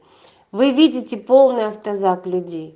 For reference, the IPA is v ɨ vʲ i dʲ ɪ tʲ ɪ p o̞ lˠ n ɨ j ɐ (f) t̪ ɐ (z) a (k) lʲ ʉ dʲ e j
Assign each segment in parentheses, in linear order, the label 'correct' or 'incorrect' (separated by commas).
correct, correct, correct